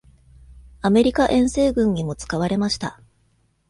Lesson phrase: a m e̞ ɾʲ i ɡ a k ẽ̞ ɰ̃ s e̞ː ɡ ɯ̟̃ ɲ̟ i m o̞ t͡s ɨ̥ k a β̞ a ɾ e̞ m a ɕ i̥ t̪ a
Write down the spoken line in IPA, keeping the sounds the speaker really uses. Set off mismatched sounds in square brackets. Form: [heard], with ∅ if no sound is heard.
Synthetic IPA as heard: a m e̞ ɾʲ i [k] a [ʔ] ẽ̞ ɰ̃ s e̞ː ɡ ɯ̟̃ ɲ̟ i m o̞ t͡s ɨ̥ k a β̞ a ɾ e̞ m a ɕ i̥ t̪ a